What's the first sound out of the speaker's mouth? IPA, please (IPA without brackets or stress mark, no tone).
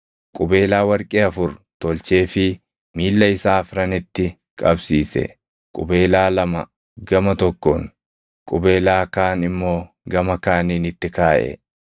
kʼ